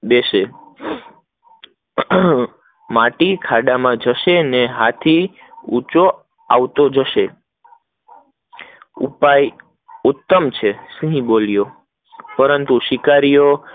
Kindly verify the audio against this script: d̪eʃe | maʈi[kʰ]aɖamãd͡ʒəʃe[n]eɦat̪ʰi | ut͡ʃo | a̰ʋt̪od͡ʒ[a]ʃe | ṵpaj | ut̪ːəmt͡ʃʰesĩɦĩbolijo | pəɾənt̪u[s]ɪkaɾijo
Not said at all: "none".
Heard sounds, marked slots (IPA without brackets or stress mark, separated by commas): kʰ, n, ə, ʃ